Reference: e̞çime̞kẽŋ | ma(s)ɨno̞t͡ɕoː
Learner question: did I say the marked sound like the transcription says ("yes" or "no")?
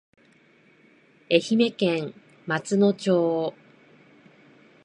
no